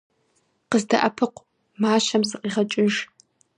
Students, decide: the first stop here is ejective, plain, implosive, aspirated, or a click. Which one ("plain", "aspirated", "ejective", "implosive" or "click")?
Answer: plain